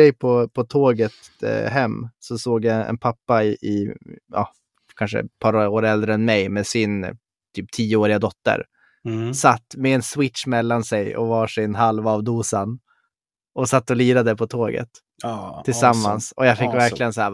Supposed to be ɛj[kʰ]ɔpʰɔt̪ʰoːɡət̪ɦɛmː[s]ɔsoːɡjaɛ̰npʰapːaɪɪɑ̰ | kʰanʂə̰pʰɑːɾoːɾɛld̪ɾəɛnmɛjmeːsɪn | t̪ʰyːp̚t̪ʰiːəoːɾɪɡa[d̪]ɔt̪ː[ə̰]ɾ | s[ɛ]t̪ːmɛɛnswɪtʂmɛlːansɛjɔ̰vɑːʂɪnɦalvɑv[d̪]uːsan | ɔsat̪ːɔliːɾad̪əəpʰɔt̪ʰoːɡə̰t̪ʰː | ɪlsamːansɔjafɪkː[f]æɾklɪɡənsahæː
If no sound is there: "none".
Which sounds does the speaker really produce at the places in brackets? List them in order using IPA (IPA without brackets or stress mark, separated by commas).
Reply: pʰ, s, d̪, ə̰, a, d̪, v